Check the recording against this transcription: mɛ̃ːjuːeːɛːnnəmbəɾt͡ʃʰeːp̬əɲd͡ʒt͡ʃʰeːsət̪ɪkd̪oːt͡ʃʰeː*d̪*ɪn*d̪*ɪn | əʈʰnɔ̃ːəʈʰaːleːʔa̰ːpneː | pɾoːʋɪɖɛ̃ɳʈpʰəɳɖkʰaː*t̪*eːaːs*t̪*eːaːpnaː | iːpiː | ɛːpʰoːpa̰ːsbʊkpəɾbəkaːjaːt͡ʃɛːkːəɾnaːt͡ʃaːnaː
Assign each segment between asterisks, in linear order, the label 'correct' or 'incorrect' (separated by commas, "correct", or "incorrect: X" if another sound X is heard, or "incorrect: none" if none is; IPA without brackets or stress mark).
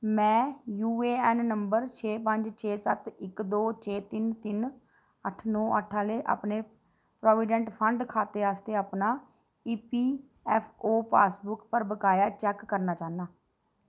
incorrect: t̪, incorrect: t̪, correct, correct